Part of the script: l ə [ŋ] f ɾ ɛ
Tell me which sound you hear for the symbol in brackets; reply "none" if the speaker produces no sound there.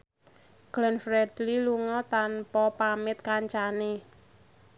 n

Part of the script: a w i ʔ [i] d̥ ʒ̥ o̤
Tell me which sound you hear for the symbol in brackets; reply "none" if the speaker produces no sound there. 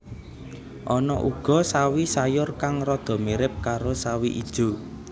i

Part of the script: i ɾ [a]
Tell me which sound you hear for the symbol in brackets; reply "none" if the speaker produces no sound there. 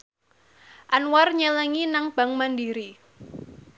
i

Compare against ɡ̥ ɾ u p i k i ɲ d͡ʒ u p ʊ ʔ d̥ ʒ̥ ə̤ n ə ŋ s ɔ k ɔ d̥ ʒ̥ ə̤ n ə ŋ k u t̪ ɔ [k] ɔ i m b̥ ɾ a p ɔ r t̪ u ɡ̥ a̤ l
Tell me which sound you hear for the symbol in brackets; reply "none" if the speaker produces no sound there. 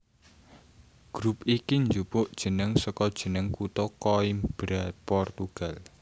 k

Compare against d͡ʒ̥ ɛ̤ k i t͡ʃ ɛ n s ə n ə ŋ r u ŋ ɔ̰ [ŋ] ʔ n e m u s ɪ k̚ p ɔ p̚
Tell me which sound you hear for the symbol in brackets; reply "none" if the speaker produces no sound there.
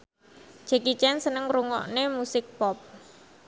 none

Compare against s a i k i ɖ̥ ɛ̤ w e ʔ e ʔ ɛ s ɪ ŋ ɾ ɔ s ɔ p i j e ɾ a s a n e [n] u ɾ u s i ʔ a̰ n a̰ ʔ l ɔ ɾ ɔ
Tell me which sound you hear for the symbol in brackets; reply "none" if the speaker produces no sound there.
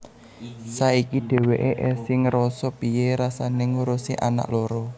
ŋ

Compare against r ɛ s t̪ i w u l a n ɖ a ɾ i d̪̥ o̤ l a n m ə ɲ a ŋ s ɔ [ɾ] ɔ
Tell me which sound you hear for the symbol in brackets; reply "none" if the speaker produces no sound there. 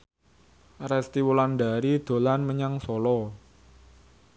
l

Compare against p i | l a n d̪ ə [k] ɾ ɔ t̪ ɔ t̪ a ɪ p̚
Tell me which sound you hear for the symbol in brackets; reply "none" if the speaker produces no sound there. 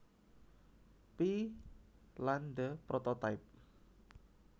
p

